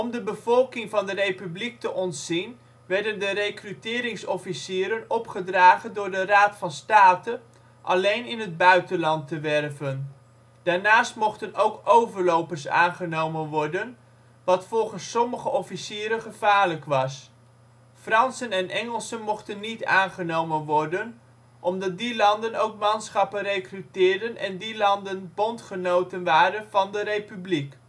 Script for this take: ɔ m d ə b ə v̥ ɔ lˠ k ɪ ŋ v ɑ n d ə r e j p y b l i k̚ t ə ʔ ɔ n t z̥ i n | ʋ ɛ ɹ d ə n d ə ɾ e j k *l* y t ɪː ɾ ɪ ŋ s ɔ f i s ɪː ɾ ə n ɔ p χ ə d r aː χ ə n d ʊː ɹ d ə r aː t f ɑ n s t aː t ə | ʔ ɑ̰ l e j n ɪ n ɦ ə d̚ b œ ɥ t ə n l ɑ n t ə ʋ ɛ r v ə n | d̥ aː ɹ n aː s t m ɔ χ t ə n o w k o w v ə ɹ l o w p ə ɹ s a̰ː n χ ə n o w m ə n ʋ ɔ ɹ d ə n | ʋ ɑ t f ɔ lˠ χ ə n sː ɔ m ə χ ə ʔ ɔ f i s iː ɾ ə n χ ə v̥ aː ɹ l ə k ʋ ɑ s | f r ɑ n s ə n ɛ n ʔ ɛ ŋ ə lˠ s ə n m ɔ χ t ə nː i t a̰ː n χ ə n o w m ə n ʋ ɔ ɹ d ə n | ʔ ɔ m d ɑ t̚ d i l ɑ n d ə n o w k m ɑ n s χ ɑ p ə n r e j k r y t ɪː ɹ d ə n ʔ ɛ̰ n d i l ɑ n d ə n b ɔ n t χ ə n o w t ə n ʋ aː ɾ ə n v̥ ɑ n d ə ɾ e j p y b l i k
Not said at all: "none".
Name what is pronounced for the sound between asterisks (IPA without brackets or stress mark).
r